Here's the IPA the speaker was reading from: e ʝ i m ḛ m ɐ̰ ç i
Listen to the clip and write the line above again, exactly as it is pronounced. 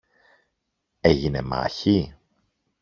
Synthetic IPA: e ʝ i n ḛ m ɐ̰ ç i